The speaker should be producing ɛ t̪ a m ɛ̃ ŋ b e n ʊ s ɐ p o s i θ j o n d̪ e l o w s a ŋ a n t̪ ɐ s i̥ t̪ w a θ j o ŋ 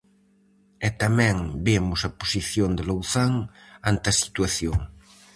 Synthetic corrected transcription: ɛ t̪ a m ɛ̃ ŋ b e m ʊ s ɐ p o s i θ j o n d̪ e l o w θ a ŋ a n t̪ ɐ s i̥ t̪ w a θ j o ŋ